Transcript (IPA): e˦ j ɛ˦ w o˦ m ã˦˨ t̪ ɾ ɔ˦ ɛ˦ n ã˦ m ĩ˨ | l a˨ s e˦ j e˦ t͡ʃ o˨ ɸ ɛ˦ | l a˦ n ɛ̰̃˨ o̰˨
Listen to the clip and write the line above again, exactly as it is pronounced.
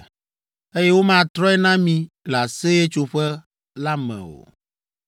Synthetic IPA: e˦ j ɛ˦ w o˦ m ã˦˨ t̪ ɾ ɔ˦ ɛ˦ n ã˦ m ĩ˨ | l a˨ s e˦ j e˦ t͡ʃ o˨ ɸ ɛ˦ | l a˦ m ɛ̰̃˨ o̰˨